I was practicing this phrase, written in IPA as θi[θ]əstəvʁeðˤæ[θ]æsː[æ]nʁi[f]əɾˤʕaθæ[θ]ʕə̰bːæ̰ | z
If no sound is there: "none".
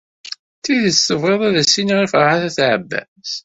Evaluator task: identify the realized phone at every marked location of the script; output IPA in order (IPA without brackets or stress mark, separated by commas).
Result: ð, ð, i, f, θ